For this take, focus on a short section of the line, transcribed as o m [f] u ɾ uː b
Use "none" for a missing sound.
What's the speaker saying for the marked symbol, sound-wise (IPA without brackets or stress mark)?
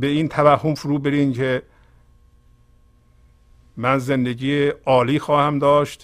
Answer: f